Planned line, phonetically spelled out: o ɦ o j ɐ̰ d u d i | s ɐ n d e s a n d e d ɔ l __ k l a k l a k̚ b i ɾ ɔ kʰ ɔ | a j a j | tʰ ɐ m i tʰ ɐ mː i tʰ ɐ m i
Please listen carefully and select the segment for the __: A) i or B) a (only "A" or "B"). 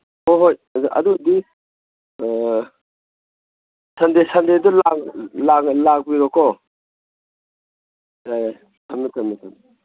B